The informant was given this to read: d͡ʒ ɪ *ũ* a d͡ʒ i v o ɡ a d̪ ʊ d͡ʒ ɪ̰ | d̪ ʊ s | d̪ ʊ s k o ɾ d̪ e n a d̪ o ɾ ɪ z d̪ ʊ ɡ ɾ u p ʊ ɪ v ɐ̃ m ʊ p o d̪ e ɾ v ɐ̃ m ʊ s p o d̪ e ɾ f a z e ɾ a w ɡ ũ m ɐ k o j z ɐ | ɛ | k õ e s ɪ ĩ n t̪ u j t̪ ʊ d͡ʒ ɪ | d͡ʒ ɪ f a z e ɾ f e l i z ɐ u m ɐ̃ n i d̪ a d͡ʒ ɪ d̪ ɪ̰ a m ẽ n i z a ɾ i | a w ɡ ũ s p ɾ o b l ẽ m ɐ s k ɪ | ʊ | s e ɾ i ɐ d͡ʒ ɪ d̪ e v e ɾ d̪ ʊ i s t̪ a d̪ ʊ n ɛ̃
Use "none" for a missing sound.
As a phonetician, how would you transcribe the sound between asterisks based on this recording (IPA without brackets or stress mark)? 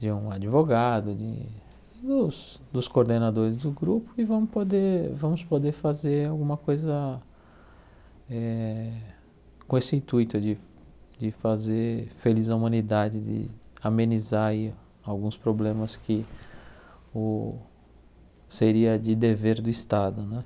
ũ